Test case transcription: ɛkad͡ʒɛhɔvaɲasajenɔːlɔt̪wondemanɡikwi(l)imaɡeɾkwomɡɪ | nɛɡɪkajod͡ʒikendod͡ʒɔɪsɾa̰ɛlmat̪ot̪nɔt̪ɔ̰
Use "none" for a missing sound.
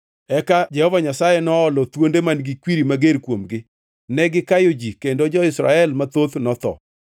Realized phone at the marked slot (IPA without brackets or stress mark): ɾ